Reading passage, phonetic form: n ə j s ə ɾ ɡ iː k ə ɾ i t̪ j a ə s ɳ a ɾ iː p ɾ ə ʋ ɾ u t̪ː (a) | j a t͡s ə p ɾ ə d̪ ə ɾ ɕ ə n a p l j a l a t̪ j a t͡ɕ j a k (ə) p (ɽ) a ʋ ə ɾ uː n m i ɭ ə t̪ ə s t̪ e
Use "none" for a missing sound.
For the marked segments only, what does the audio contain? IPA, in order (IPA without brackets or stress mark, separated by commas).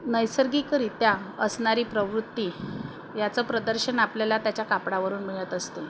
i, a, ɽ